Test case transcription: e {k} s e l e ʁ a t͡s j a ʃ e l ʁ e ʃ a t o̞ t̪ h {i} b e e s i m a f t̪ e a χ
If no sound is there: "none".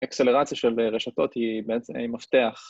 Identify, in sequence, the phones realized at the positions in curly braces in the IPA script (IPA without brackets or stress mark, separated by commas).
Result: k, i